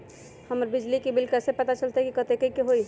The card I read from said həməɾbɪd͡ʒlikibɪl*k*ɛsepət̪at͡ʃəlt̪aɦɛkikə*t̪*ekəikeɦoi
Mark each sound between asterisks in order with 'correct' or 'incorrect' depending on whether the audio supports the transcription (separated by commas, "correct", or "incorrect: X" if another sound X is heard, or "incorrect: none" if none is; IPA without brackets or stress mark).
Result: correct, correct